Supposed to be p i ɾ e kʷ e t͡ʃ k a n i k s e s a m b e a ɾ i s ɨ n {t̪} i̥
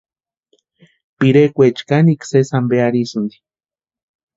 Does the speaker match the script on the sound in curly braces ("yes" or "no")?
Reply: no